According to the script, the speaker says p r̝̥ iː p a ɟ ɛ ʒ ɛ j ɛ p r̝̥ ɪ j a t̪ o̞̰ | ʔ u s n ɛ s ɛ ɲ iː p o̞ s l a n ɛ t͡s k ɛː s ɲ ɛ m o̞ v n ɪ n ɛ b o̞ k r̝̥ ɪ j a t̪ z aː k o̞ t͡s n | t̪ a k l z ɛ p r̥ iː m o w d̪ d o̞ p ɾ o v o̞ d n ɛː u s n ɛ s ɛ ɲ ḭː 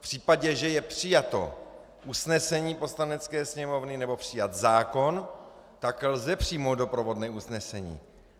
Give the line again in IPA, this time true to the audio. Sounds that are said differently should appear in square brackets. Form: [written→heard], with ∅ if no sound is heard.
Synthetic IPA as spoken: p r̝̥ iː p a ɟ ɛ ʒ ɛ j ɛ p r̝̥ ɪ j a t̪ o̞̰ | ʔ u s n ɛ s ɛ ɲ iː p o̞ s l a n ɛ t͡s k ɛː s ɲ ɛ m o̞ v n ɪ n ɛ b o̞ [k→p] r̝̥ ɪ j a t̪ z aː k o̞ [t͡s→∅] n | t̪ a k l z ɛ p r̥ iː m o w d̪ d o̞ p ɾ o v o̞ d n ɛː u s n ɛ s ɛ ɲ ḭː

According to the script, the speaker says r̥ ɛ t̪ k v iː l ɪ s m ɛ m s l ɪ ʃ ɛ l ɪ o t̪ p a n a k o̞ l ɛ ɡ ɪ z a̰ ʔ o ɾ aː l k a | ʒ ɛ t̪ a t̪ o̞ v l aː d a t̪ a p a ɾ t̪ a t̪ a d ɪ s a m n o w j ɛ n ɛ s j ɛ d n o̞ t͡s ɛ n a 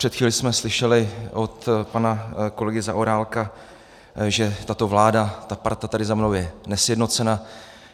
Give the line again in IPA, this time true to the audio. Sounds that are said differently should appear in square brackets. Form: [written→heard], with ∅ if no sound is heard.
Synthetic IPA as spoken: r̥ ɛ t̪ [k→x] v iː l ɪ s m ɛ [m→∅] s l ɪ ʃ ɛ l ɪ o t̪ p a n a k o̞ l ɛ ɡ ɪ z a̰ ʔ o ɾ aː l k a | ʒ ɛ t̪ a t̪ o̞ v l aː d a t̪ a p a ɾ t̪ a t̪ a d ɪ [s→z] a m n o w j ɛ n ɛ s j ɛ d n o̞ t͡s ɛ n a

